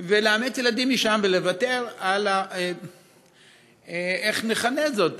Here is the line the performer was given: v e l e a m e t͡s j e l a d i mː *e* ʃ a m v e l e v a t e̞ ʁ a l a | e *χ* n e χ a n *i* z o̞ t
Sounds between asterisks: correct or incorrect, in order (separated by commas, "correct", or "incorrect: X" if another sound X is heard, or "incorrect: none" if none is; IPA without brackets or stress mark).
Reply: incorrect: i, correct, incorrect: e